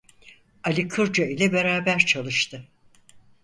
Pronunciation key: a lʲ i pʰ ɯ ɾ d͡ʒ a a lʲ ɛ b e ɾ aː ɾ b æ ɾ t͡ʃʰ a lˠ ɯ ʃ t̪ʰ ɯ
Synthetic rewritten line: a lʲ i kʰ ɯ ɾ d͡ʒ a i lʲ ɛ b e ɾ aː b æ ɾ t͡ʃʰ a lˠ ɯ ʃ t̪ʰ ɯ